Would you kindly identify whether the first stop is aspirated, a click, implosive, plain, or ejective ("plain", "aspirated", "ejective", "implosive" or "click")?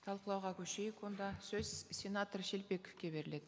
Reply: aspirated